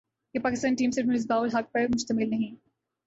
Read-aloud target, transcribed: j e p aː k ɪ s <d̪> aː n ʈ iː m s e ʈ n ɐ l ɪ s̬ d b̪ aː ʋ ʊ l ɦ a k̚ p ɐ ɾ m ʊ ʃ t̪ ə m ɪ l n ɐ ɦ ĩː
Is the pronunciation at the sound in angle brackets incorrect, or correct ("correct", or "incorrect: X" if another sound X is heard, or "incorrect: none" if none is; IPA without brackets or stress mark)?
incorrect: t̪